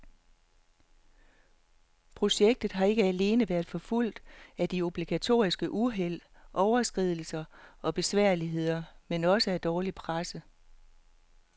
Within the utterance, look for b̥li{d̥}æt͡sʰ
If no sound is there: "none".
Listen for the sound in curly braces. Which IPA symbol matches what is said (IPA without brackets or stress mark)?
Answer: ɡ̥